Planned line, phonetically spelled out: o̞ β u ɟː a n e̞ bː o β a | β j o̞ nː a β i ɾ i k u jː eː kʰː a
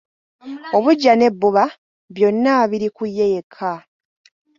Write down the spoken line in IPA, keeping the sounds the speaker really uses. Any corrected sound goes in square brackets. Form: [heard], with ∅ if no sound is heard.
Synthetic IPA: o̞ β u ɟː a n e̞ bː [u] β a | β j o̞ nː a β i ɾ i k u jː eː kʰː a